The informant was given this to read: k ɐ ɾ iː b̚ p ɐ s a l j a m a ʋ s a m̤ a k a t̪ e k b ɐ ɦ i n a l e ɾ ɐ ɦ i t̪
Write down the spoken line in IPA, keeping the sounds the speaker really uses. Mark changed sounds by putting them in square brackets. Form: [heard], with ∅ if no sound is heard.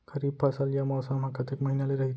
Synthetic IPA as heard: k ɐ ɾ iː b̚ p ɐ s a l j a m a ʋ s a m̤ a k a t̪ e k [m] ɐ ɦ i n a l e ɾ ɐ ɦ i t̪